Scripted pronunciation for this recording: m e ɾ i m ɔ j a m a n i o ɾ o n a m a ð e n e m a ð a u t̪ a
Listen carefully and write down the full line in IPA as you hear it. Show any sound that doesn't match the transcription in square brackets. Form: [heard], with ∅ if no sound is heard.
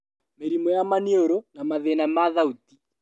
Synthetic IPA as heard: m e ɾ i m ɔ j a m a n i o ɾ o n a m a ð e n [a] m a ð a u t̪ [i]